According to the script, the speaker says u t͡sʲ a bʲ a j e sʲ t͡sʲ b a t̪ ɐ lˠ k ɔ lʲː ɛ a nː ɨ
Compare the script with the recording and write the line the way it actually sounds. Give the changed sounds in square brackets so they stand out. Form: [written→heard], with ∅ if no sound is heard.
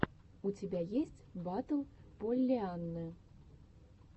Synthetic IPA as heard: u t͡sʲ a bʲ a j e sʲ t͡sʲ b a t̪ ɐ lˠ [k→p] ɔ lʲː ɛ a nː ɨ